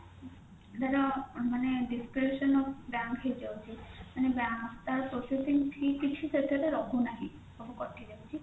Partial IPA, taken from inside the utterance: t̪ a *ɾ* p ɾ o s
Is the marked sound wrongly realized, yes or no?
no